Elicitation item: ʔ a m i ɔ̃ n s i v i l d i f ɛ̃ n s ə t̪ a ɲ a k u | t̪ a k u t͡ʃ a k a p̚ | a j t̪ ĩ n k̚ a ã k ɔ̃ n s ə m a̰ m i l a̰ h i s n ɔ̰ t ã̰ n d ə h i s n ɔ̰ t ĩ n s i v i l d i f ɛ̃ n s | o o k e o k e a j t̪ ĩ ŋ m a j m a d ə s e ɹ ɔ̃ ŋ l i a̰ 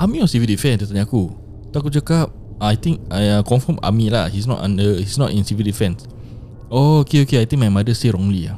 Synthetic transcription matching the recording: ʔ a m i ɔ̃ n s i v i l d i f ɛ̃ n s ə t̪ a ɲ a k u | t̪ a k u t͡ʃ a k a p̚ | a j t̪ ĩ ŋ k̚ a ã k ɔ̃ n f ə m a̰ m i l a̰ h i s n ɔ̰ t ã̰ n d ə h i s n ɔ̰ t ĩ n s i v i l d i f ɛ̃ n s | o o k e o k e a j t̪ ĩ ŋ m a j m a d ə s e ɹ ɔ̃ ŋ l i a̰